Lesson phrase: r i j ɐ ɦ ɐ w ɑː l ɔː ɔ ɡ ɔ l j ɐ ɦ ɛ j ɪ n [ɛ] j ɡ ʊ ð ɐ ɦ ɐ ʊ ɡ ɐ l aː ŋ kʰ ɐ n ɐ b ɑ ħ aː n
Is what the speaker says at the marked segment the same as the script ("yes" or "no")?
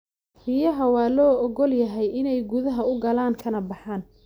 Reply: yes